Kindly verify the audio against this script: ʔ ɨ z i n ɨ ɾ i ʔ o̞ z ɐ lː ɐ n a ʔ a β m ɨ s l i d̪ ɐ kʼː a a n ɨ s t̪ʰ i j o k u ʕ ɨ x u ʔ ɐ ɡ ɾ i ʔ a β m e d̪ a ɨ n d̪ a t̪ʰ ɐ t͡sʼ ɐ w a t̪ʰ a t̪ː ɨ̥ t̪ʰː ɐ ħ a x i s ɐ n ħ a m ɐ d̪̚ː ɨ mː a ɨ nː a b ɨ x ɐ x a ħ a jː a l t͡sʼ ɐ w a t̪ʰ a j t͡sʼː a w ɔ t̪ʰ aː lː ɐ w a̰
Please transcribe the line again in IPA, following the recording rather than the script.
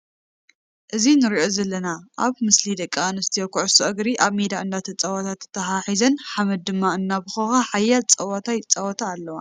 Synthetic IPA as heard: ʔ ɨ z i n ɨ ɾ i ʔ o̞ z ɐ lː ɐ n a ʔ a β m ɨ s l i d̪ ɐ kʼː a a n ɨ s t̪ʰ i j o k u ʕ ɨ s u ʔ ɐ ɡ ɾ i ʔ a β m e d̪ a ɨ n d̪ a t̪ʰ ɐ t͡sʼ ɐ w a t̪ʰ a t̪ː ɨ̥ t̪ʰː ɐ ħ a ħ i z ɐ n ħ a m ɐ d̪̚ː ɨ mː a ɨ nː a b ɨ x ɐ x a ħ a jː a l t͡sʼ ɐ w a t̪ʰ a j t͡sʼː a w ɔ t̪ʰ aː lː ɐ w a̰